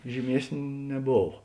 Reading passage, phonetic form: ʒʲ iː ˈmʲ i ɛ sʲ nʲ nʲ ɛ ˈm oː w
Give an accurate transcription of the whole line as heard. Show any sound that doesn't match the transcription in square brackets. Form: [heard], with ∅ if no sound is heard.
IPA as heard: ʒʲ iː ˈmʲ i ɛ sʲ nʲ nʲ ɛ [ˈb] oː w